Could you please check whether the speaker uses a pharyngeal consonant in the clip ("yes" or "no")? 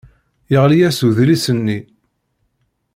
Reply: no